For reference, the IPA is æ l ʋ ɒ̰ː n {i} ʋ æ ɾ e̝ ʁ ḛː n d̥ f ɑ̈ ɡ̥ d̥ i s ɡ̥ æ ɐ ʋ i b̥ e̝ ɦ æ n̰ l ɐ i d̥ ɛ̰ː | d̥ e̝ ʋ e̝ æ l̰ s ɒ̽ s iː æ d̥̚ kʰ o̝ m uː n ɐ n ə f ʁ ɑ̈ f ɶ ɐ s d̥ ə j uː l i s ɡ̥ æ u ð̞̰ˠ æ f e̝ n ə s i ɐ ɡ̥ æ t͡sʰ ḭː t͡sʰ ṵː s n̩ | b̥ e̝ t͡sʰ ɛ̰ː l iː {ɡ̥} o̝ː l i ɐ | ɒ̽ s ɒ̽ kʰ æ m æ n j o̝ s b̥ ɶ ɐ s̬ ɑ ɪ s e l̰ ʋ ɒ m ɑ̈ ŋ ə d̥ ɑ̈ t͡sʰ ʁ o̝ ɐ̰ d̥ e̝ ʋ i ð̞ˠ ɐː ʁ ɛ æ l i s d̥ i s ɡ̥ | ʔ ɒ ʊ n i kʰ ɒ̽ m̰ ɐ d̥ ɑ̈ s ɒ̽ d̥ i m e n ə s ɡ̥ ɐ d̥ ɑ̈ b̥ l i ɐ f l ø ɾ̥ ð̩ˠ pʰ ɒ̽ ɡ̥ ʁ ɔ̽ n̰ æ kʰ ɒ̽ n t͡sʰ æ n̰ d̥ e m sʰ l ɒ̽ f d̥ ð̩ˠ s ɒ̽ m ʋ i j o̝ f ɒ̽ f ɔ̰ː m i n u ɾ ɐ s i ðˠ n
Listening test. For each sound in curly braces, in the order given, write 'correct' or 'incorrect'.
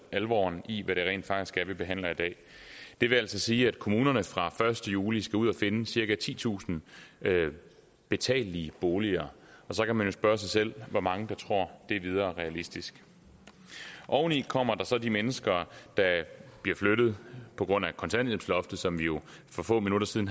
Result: correct, incorrect: b̥

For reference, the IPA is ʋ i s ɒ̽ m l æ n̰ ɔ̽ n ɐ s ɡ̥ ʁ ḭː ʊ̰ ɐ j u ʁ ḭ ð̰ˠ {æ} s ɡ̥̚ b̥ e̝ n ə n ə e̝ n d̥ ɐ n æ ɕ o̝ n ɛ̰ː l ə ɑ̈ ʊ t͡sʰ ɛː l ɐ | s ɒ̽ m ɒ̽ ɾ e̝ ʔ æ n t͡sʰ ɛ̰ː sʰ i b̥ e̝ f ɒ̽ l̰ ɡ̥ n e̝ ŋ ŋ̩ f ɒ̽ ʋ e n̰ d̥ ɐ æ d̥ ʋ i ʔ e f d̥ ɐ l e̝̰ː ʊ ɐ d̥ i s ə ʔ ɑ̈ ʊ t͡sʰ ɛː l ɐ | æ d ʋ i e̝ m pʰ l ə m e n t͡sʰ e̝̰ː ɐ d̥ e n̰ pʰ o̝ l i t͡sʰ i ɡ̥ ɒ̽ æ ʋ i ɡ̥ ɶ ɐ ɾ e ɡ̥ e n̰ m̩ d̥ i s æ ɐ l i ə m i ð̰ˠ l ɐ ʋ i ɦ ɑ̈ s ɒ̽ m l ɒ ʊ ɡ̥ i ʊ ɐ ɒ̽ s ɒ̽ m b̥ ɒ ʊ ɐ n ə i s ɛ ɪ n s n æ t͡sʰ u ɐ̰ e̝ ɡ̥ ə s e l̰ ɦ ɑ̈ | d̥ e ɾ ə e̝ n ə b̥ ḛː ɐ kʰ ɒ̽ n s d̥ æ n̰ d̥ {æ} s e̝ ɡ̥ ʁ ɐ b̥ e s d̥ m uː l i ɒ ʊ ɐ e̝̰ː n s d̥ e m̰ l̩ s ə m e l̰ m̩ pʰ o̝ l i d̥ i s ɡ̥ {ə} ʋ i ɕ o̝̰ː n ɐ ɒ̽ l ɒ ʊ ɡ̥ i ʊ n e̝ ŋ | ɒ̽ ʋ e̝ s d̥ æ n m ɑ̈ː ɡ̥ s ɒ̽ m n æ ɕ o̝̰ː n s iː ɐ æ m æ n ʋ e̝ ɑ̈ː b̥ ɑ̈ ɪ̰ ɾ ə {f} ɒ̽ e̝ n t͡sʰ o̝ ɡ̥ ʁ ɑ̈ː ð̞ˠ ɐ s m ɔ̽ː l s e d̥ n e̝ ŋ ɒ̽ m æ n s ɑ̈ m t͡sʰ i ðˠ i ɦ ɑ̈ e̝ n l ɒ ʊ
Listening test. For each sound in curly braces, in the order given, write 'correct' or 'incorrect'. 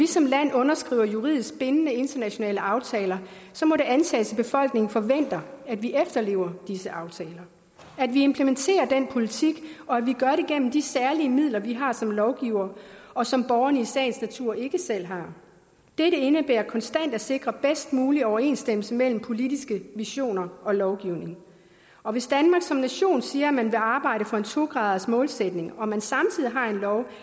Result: incorrect: i, correct, correct, correct

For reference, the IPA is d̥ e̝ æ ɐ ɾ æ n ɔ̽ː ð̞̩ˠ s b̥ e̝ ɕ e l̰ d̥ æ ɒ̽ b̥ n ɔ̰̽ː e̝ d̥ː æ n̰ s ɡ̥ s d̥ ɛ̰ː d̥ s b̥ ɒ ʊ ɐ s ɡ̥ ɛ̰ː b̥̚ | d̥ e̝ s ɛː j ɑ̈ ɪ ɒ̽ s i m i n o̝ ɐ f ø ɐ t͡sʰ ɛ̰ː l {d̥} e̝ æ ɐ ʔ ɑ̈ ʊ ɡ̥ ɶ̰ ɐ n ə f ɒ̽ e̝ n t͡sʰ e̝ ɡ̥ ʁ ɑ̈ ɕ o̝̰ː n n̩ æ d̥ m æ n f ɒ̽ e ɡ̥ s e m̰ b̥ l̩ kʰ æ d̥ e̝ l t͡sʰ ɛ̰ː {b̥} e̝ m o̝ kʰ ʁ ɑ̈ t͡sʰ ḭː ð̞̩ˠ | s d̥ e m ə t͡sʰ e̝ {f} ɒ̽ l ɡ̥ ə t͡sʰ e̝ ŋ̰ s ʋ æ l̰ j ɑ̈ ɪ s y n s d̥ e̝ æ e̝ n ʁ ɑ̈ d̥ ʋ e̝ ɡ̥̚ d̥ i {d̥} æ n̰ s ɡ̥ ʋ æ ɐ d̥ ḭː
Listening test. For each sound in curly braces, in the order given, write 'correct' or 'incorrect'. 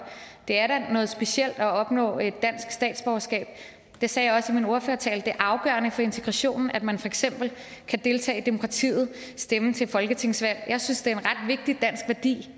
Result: correct, incorrect: d̥, correct, correct

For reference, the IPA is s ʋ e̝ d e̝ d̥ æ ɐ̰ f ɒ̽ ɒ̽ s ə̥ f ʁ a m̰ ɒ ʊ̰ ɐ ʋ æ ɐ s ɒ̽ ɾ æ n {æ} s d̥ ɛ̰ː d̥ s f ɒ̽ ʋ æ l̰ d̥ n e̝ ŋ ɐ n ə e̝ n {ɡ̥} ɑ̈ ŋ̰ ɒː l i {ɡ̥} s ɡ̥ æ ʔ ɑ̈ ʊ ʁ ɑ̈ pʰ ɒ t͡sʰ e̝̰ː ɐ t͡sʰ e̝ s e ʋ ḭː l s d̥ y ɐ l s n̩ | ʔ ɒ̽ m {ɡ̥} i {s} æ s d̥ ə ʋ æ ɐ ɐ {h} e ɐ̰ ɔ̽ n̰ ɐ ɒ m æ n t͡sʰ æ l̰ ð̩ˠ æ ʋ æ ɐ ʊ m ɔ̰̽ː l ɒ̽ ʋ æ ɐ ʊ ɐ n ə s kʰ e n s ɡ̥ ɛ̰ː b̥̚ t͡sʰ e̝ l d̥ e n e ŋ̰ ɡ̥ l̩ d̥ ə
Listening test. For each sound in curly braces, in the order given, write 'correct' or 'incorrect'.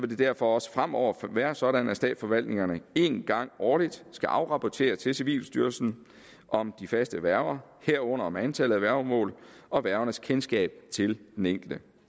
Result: correct, correct, incorrect: d̥, incorrect: d̥, incorrect: f, correct

